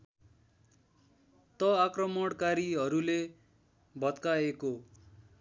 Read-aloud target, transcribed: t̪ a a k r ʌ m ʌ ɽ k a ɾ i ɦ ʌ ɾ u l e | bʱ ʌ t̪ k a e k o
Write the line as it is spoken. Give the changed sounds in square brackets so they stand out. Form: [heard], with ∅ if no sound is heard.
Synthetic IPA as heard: t̪ [ʌ] a k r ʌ m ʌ ɽ k a ɾ i ɦ ʌ ɾ u l e | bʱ ʌ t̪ k a e k o

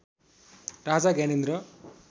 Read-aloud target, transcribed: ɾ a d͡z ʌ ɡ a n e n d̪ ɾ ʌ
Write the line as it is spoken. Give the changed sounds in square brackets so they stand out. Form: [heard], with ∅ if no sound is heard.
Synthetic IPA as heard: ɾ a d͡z [a] ɡ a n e n d̪ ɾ ʌ

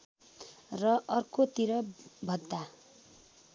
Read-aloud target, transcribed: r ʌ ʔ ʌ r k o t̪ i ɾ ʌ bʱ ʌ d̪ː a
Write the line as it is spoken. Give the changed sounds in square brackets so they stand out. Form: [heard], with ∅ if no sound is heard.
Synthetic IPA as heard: r ʌ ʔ ʌ r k o t̪ i ɾ ʌ bʱ ʌ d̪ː a

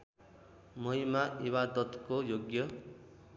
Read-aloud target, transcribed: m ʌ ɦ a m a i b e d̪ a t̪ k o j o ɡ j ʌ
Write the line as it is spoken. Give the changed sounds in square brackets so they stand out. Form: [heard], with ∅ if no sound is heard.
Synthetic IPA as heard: m ʌ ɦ [i] m a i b [a] d̪ [ʌ] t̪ k o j o ɡ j ʌ

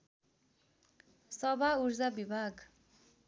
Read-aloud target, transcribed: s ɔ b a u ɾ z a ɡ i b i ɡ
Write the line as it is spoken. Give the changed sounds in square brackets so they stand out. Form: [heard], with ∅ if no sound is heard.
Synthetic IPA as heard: s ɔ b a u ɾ z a [b] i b [a] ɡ

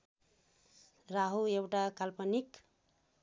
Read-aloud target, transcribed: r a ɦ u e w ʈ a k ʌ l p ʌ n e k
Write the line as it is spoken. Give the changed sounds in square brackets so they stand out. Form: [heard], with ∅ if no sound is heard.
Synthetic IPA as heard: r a ɦ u e w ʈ a k [a] l p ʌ n [i] k

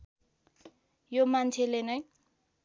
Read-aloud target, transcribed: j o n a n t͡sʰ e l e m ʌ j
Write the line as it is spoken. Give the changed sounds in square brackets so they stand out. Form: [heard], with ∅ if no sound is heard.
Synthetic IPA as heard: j o [m] a n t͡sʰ e l e [n] ʌ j

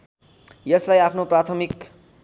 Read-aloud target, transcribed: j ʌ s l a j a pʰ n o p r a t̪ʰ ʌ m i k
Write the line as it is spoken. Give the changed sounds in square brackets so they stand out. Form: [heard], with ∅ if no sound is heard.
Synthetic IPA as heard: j ʌ s l a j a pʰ n o p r a t̪ʰ ʌ m i k

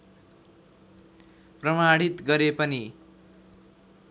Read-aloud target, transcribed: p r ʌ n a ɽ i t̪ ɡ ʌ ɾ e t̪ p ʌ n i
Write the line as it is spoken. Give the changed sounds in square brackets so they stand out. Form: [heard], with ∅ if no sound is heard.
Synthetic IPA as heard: p r ʌ [m] a ɽ i t̪ ɡ ʌ ɾ e [∅] p ʌ n i

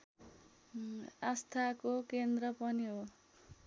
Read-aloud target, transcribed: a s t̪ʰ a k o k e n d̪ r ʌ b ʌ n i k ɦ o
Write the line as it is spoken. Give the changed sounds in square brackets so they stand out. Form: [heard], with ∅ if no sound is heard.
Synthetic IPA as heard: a s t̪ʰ a k o k e n d̪ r ʌ [p] ʌ n i [∅] ɦ o

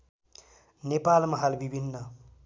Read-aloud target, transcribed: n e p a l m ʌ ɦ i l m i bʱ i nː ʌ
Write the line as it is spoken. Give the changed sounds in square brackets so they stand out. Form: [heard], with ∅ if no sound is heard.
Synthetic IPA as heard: n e p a l m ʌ ɦ [a] l [b] i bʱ i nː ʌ

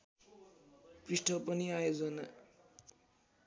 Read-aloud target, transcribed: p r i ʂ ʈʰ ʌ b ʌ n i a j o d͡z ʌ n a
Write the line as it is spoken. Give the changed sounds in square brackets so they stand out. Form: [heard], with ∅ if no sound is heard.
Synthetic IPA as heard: p r i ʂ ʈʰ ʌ [p] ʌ n i a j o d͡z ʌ n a

